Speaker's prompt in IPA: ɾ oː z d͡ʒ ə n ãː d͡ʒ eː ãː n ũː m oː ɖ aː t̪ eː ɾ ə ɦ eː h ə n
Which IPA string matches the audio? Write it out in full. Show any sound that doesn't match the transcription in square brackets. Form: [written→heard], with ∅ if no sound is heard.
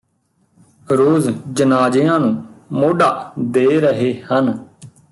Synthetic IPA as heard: ɾ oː z d͡ʒ ə n [ãː→aː] d͡ʒ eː ãː n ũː m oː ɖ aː [t̪→d̪] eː ɾ ə ɦ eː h ə n